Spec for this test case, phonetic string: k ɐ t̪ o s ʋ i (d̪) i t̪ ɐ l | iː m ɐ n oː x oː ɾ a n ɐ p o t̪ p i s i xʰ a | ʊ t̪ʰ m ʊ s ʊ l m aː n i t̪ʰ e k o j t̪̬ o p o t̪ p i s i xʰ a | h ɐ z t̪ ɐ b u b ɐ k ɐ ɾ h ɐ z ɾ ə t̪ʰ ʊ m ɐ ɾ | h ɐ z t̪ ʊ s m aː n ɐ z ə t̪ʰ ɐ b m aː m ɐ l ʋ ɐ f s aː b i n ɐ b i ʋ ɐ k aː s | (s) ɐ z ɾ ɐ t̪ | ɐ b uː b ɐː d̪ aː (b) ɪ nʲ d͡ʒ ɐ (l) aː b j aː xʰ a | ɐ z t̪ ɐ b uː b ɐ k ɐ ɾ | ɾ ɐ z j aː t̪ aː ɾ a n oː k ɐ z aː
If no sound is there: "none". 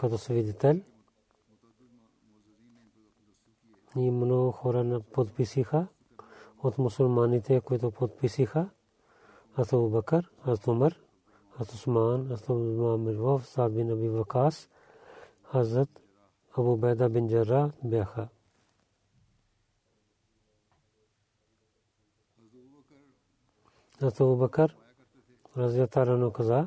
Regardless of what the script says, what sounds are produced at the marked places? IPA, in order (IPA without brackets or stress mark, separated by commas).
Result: d̪, h, b, ɾ